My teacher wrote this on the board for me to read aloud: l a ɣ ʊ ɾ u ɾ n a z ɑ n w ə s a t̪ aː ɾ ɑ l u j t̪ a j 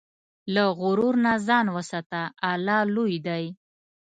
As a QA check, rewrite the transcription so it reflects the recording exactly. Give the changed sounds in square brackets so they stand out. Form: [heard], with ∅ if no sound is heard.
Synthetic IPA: l a ɣ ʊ ɾ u ɾ n a z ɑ n w ə s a t̪ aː [l] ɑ l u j [d̪] a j